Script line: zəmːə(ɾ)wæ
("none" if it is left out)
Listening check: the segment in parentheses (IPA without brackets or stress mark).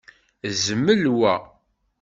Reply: l